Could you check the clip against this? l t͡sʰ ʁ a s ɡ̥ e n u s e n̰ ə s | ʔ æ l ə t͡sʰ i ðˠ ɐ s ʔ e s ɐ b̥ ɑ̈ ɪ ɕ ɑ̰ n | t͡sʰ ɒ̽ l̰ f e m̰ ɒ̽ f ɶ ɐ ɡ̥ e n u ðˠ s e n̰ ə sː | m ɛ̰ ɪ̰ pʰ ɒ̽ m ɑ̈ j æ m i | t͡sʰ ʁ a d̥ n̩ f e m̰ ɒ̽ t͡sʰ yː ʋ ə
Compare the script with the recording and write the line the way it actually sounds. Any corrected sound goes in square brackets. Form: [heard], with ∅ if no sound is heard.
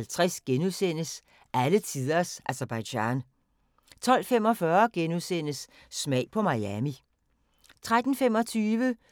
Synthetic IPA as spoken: l t͡sʰ ʁ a s ɡ̥ e n u s e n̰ ə s | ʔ æ l ə t͡sʰ i ðˠ ɐ s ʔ [æ] s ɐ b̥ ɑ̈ ɪ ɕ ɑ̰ n | t͡sʰ ɒ̽ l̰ f e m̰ ɒ̽ f ɶ ɐ ɡ̥ e n u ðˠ s e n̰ ə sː | m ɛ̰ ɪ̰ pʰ ɒ̽ m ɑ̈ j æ m i | t͡sʰ ʁ a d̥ n̩ f e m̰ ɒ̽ t͡sʰ yː ʋ ə